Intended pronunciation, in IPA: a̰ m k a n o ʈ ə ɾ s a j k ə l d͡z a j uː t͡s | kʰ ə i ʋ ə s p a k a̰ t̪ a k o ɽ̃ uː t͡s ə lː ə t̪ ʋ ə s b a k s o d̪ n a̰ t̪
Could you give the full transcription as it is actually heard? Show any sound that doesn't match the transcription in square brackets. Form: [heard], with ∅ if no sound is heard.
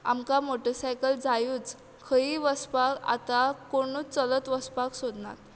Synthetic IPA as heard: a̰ m k a [m] o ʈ ə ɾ s a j k ə l d͡z a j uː t͡s | kʰ ə i ʋ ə s p a k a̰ t̪ a k o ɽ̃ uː t͡s ə [l] ə t̪ ʋ ə s [p] a k s o d̪ n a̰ t̪